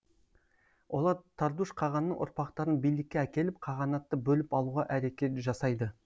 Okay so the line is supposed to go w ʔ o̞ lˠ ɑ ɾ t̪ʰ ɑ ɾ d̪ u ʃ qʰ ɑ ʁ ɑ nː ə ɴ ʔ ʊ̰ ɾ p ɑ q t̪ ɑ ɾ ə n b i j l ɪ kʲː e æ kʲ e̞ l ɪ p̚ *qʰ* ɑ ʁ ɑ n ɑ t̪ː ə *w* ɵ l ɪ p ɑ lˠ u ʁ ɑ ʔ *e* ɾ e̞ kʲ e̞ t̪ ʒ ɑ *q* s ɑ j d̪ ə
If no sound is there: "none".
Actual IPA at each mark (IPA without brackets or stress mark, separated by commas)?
qʰ, b, æ, none